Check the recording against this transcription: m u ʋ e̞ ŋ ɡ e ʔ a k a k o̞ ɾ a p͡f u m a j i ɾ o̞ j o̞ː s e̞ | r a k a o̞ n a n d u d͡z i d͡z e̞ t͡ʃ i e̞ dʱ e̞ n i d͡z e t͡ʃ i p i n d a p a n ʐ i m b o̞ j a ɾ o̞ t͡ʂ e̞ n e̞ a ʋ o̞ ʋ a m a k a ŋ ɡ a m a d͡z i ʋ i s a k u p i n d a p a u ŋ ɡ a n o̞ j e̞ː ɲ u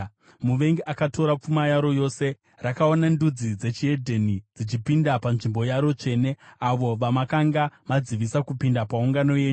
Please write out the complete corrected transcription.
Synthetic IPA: m u ʋ e̞ ŋ ɡ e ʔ a k a t o̞ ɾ a p͡f u m a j a ɾ o̞ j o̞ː s e̞ | r a k a o̞ n a n d u d͡z i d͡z e̞ t͡ʃ i e̞ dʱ e̞ n i d͡z i t͡ʃ i p i n d a p a n ʐ i m b o̞ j a ɾ o̞ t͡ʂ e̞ n e̞ a ʋ o̞ ʋ a m a k a ŋ ɡ a m a d͡z i ʋ i s a k u p i n d a p a u ŋ ɡ a n o̞ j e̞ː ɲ u